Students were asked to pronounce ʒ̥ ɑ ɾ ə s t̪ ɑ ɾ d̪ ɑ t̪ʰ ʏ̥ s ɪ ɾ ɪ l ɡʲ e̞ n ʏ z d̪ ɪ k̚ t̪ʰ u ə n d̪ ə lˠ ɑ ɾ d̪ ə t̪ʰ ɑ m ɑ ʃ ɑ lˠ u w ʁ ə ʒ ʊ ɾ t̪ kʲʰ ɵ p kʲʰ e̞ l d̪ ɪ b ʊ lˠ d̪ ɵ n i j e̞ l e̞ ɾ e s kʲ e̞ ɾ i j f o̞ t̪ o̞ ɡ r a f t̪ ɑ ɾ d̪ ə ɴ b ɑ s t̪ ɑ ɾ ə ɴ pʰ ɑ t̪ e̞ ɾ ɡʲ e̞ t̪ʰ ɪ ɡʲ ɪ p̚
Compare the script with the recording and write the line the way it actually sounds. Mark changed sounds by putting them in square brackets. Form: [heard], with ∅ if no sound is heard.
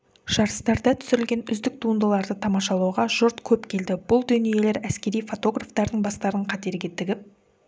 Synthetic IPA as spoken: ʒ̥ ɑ ɾ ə s t̪ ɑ ɾ d̪ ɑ t̪ʰ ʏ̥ s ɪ ɾ ɪ l ɡʲ e̞ n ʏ z d̪ ɪ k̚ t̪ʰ u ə n d̪ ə lˠ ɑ ɾ d̪ ə t̪ʰ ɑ m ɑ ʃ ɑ lˠ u w ʁ [ɑ] ʒ ʊ ɾ t̪ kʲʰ ɵ p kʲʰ e̞ l d̪ ɪ b ʊ lˠ d̪ ɵ n i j e̞ l e̞ ɾ [æ] s kʲ e̞ ɾ i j f o̞ t̪ o̞ ɡ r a f t̪ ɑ ɾ d̪ ə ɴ b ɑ s t̪ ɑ ɾ ə ɴ [qʰ] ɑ t̪ e̞ ɾ ɡʲ e̞ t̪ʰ ɪ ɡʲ ɪ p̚

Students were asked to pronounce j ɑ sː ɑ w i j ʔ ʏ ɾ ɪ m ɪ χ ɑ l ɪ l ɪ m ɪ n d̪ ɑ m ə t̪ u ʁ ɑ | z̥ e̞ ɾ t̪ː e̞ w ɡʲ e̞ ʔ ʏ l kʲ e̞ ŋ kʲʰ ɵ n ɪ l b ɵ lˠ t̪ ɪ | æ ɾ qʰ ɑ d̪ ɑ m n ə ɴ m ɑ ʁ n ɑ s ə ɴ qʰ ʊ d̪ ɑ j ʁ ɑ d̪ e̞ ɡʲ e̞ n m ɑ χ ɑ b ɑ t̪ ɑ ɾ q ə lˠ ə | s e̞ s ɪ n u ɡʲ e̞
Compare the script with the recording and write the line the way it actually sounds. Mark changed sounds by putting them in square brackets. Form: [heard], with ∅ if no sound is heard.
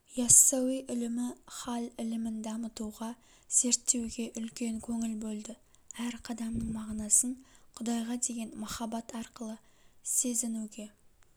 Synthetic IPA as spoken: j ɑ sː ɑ w i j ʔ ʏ [l] ɪ m ɪ χ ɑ l ɪ l ɪ m ɪ n d̪ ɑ m ə t̪ u ʁ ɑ | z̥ e̞ ɾ t̪ː e̞ w ɡʲ e̞ ʔ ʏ l kʲ e̞ ŋ kʲʰ ɵ [ŋ] ɪ l b ɵ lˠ [d̪] ɪ | æ ɾ qʰ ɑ d̪ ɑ m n ə ɴ m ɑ ʁ n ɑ s ə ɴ qʰ ʊ d̪ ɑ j ʁ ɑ d̪ e̞ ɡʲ e̞ n m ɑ χ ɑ b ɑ t̪ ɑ ɾ q ə lˠ ə | s e̞ [z] ɪ n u ɡʲ e̞

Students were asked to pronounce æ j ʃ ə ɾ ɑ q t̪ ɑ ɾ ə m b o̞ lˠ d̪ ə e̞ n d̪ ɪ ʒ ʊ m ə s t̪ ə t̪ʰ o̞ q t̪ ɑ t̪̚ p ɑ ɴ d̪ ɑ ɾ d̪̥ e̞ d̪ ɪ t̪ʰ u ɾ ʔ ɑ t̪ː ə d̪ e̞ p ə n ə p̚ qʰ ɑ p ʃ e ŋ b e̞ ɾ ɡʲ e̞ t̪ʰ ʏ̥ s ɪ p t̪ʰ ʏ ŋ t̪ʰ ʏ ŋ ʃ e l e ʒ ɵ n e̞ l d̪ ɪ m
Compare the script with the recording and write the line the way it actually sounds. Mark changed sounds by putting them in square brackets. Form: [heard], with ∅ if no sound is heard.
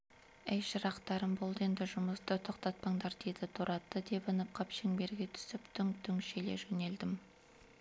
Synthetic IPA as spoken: æ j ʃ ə ɾ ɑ q t̪ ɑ ɾ ə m b o̞ lˠ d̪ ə e̞ n d̪ ɪ ʒ ʊ m ə s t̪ ə t̪ʰ o̞ q t̪ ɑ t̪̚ p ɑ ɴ d̪ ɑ ɾ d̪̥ e̞ d̪ ɪ t̪ʰ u ɾ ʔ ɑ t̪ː ə d̪ e̞ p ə n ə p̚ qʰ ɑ p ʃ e ŋ b e̞ ɾ ɡʲ e̞ t̪ʰ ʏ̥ s ɪ p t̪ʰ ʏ ŋ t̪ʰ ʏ ŋ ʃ e l e ʒ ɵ n e̞ l d̪ ɪ m

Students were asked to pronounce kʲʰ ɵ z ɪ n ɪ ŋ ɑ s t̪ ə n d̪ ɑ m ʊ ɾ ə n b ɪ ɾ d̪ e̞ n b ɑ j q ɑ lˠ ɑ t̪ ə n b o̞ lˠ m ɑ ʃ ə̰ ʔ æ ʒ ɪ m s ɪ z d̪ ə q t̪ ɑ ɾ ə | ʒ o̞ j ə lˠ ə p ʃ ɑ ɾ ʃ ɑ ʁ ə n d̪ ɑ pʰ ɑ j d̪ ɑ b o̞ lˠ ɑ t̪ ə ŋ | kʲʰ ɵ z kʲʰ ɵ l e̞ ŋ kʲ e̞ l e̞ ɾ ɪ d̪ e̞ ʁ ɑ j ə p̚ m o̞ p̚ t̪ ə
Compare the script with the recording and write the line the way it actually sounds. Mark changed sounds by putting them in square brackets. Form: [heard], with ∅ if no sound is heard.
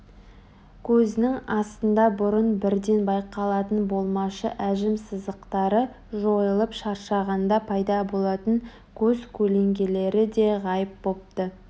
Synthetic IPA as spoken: kʲʰ ɵ z ɪ n ɪ ŋ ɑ s t̪ ə n d̪ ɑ [b] ʊ ɾ ə n b ɪ ɾ d̪ e̞ n b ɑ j q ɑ lˠ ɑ t̪ ə n b o̞ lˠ m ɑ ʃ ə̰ ʔ æ ʒ ɪ m s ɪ z d̪ ə q t̪ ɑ ɾ ə | ʒ o̞ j ə lˠ ə p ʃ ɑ ɾ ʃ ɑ ʁ [ɑ] n d̪ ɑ pʰ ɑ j d̪ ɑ b o̞ lˠ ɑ t̪ ə ŋ | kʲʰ ɵ z kʲʰ ɵ l e̞ ŋ [ɡʲ] e̞ l e̞ ɾ ɪ d̪ e̞ ʁ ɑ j ə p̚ [b] o̞ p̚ t̪ ə

